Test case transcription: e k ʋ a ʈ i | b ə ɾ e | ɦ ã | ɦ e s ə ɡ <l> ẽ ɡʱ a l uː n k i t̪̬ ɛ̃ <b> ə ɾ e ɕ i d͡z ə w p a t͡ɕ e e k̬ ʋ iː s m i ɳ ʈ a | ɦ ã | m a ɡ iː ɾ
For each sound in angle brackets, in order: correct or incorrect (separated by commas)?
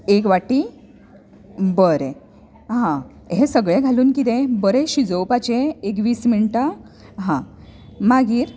incorrect, correct